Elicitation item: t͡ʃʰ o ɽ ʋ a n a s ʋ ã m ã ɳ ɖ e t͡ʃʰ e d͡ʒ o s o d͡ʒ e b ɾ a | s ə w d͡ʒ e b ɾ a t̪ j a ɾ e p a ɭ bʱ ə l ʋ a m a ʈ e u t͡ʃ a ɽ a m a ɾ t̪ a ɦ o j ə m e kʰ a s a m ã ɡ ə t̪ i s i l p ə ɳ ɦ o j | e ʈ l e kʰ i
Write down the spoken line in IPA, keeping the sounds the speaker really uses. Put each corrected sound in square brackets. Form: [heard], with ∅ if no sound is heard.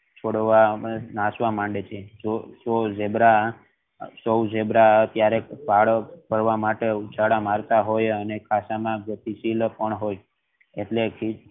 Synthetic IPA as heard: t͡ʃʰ o ɽ ʋ a n a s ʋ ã m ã ɳ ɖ e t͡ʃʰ e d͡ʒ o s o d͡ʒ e b ɾ a | s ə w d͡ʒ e b ɾ a t̪ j a ɾ e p a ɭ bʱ ə [ɾ] ʋ a m a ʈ e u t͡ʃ a ɽ a m a ɾ t̪ a ɦ o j ə [n] e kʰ a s a m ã ɡ ə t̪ i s i l p ə ɳ ɦ o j | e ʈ l e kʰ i